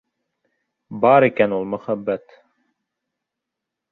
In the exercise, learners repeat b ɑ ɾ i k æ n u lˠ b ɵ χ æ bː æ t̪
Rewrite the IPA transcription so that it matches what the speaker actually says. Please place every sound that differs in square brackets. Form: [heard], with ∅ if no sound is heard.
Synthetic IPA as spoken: b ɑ ɾ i k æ n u lˠ [m] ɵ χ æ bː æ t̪

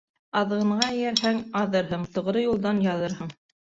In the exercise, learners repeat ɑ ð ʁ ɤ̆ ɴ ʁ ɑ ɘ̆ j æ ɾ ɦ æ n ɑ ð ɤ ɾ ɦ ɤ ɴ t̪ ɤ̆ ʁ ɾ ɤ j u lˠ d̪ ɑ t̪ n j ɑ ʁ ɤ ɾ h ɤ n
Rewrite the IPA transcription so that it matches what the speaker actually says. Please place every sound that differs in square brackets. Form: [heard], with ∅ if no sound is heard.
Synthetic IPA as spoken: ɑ ð ʁ ɤ̆ ɴ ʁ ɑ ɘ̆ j æ ɾ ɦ æ [ŋ] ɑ ð ɤ ɾ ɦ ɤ ɴ t̪ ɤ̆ ʁ ɾ ɤ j u lˠ d̪ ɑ [∅] n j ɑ [ð] ɤ ɾ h ɤ [ɴ]

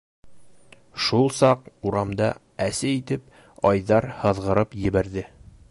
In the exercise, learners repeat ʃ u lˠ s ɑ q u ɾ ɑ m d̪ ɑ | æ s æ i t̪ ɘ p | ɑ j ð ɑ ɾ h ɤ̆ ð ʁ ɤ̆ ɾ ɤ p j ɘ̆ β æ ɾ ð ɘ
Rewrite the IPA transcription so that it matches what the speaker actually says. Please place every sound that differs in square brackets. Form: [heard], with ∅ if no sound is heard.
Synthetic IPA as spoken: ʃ u lˠ s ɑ q u ɾ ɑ m d̪ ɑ | æ s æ i t̪ ɘ p | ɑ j ð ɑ ɾ h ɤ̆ ð ʁ ɤ̆ ɾ ɤ p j ɘ̆ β æ ɾ ð ɘ

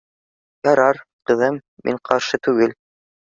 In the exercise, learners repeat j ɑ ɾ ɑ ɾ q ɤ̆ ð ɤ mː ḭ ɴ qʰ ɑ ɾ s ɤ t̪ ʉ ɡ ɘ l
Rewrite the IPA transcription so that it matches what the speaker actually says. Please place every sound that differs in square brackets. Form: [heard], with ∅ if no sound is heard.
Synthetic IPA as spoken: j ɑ ɾ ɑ ɾ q ɤ̆ ð ɤ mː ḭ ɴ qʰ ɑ ɾ [ʃ] ɤ t̪ ʉ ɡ ɘ l

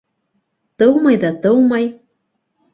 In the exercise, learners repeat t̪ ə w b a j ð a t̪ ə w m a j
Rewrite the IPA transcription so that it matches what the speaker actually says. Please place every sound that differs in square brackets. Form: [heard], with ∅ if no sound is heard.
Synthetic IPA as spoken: t̪ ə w [m] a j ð a t̪ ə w m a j

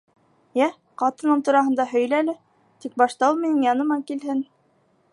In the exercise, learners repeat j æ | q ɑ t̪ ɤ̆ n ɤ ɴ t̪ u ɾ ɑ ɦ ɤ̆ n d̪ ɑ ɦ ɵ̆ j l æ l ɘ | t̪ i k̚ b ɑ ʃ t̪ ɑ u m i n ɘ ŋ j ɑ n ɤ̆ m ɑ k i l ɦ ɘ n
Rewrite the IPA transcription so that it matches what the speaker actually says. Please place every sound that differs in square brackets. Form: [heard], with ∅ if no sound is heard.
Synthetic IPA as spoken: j æ | q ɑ t̪ ɤ̆ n ɤ ɴ t̪ u ɾ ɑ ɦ ɤ̆ n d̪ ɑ ɦ ɵ̆ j l æ l ɘ | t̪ i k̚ b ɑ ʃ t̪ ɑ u m i n ɘ ŋ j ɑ n ɤ̆ m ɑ k i l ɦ ɘ n

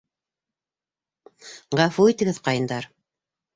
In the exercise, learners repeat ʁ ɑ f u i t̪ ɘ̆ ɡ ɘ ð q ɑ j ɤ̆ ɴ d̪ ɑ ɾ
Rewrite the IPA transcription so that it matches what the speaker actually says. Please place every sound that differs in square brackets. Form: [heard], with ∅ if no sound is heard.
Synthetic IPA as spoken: ʁ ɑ f u i t̪ ɘ̆ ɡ ɘ ð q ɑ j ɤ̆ [n] d̪ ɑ ɾ

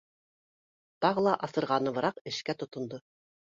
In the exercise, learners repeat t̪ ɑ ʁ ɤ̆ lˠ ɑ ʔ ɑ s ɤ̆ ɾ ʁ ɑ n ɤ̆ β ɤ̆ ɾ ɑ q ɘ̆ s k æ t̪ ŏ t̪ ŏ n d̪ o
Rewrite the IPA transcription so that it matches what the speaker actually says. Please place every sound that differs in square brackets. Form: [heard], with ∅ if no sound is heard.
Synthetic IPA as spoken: t̪ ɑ ʁ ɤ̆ lˠ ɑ ʔ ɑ s ɤ̆ ɾ ʁ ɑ n ɤ̆ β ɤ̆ ɾ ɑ q ɘ̆ [ʃ] k æ t̪ ŏ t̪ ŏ n d̪ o

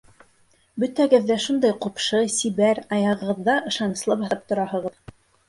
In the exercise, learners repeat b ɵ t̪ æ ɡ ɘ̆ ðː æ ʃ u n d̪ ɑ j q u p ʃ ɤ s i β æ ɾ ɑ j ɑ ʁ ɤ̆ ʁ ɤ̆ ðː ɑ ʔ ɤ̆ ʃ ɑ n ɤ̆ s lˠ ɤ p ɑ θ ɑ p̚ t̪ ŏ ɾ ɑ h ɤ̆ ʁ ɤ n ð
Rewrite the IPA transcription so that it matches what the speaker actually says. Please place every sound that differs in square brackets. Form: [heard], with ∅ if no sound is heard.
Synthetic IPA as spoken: b ɵ t̪ æ ɡ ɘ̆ ðː æ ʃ u n d̪ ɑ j q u p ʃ ɤ s i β æ ɾ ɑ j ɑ ʁ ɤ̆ ʁ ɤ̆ ðː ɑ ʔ ɤ̆ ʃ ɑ n ɤ̆ s lˠ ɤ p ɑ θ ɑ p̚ t̪ ŏ ɾ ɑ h ɤ̆ ʁ ɤ [∅] ð

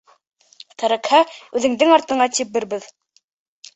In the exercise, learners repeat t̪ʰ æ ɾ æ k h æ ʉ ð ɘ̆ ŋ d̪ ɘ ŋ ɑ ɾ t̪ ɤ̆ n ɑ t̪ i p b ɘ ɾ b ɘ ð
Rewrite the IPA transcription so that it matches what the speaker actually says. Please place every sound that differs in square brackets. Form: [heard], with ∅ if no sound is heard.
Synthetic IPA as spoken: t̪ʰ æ ɾ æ k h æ ʉ ð ɘ̆ ŋ d̪ ɘ ŋ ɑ ɾ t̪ ɤ̆ [ɴ] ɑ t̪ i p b ɘ ɾ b ɘ ð

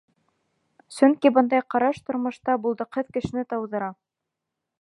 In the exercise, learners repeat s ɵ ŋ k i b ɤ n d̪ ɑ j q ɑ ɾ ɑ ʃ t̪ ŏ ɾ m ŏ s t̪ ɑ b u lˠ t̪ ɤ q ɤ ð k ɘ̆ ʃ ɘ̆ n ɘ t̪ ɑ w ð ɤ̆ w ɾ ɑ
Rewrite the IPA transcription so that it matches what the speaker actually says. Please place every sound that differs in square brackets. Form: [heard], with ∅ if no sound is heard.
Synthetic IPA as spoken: s ɵ ŋ k i b ɤ n d̪ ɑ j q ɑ ɾ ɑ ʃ t̪ ŏ ɾ m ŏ [ʃ] t̪ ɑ b u lˠ [d̪] ɤ q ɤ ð k ɘ̆ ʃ ɘ̆ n ɘ t̪ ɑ w ð ɤ̆ [∅] ɾ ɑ

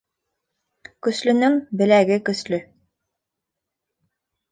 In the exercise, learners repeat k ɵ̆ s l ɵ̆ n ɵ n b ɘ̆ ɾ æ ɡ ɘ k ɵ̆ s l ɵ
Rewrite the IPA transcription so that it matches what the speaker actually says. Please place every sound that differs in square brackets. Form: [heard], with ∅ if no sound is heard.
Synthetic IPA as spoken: k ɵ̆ s l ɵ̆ n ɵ [ŋ] b ɘ̆ [l] æ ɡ ɘ k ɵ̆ s l ɵ

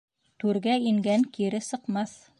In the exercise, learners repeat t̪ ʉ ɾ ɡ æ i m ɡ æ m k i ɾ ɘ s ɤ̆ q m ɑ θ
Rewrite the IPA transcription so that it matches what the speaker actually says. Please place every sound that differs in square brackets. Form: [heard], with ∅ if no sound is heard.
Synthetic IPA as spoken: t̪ ʉ ɾ ɡ æ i [ŋ] ɡ æ [ŋ] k i ɾ ɘ s ɤ̆ q m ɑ θ

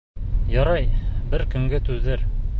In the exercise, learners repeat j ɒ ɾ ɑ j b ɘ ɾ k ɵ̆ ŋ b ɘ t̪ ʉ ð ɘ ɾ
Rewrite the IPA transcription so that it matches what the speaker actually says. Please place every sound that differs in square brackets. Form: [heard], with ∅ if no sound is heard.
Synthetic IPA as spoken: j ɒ ɾ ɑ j b ɘ ɾ k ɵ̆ ŋ [ɡ] ɘ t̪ ʉ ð ɘ ɾ

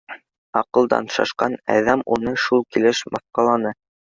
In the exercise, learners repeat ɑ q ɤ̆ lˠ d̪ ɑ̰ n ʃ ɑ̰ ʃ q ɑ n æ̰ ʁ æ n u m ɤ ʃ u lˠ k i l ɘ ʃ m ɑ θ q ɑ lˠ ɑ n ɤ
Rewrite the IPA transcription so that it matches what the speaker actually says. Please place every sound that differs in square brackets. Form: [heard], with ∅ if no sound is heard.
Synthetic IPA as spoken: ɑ q ɤ̆ lˠ d̪ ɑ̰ n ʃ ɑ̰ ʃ q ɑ n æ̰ [ð] æ [m] u [n] ɤ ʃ u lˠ k i l ɘ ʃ m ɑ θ q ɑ lˠ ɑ n ɤ

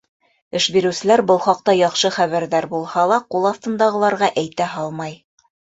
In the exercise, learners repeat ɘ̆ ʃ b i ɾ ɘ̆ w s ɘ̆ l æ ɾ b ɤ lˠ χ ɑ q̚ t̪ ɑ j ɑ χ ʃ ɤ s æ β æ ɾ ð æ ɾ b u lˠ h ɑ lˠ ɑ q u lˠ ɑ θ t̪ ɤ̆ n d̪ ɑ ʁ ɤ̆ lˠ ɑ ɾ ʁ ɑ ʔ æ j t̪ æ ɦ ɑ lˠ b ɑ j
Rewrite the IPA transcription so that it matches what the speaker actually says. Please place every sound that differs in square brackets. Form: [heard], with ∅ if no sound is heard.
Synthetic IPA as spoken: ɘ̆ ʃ b i ɾ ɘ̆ w s ɘ̆ l æ ɾ b ɤ lˠ χ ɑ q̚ t̪ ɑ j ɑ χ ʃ ɤ [χ] æ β æ ɾ ð æ ɾ b u lˠ h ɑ lˠ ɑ q u lˠ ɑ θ t̪ ɤ̆ n d̪ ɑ ʁ ɤ̆ lˠ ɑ ɾ ʁ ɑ ʔ æ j t̪ æ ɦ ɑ lˠ [m] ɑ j

